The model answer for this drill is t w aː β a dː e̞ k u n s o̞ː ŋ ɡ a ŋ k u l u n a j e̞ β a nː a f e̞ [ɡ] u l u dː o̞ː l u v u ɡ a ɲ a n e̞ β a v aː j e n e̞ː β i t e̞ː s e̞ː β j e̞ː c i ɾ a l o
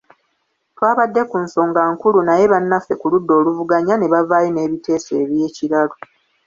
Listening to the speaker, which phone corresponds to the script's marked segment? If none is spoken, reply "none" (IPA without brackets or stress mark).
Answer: k